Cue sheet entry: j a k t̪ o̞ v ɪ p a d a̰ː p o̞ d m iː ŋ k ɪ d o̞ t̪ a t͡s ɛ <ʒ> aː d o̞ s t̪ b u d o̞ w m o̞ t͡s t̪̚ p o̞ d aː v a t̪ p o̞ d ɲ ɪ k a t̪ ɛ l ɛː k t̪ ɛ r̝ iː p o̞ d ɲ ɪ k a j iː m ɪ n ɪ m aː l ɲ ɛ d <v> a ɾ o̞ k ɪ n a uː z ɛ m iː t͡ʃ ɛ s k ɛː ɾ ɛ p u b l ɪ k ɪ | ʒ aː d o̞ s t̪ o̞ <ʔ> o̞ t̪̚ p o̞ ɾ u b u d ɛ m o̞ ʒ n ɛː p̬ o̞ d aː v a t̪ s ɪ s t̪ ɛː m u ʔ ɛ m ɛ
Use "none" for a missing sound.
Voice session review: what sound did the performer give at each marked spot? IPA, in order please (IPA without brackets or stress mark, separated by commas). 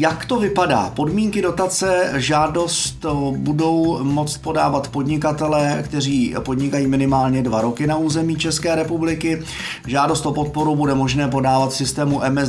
ʒ, v, p